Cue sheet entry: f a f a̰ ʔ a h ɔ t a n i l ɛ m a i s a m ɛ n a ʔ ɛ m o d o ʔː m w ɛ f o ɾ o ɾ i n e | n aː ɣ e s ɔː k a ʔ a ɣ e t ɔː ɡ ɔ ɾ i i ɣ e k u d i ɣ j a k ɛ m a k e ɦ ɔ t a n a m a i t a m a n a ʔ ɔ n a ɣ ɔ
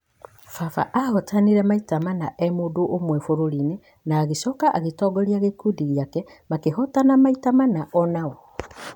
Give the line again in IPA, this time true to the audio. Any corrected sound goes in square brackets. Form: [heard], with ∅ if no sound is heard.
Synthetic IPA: f a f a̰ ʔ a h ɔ t a n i [ɾ] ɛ m a i [t] a m [a] n a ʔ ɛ m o d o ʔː m w ɛ f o ɾ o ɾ i n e | n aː ɣ e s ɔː k a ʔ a ɣ e t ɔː ɡ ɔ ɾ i [a] ɣ e k u d i ɣ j a k ɛ m a k e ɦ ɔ t a n a m a i t a m a n a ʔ ɔ n a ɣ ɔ